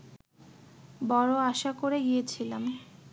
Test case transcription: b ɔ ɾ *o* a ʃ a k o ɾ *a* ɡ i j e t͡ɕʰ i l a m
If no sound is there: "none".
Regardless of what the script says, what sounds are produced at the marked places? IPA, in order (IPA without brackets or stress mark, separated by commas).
o, e